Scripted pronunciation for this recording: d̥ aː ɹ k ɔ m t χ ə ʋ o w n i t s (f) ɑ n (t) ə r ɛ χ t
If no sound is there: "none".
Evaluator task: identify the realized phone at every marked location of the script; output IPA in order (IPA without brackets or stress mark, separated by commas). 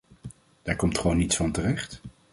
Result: f, t